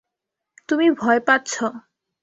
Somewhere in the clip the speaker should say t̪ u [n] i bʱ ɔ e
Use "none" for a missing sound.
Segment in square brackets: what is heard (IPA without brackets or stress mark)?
m